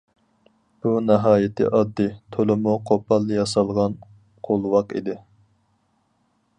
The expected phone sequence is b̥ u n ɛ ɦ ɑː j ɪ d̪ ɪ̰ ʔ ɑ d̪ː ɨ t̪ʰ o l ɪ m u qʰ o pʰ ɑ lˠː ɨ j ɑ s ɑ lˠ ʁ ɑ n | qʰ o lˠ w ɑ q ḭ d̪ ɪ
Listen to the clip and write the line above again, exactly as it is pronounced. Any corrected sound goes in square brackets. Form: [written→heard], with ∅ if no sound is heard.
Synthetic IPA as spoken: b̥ u n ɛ ɦ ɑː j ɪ [d̪→t̪] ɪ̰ ʔ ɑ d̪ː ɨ t̪ʰ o l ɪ m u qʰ o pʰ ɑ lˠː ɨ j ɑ s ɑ lˠ ʁ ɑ n | qʰ o lˠ w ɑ q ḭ d̪ ɪ